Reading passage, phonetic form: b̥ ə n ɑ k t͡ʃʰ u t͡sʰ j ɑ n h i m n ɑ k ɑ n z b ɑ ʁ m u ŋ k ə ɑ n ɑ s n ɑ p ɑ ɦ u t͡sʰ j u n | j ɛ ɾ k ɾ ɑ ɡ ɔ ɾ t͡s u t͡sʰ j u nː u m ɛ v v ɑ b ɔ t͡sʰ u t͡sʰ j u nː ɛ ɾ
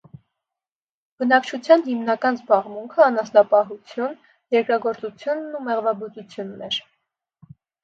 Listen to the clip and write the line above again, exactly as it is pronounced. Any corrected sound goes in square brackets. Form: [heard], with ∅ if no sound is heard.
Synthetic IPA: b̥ ə n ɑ k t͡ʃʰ u t͡sʰ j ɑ n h i m n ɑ k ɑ n z b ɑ ʁ m u ŋ [kʰ] ə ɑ n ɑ s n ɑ p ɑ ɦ u t͡sʰ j u n | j ɛ ɾ k ɾ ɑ ɡ ɔ ɾ t͡s u t͡sʰ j u nː u m ɛ [ʁ] v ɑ b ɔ [t͡s] u t͡sʰ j u nː ɛ ɾ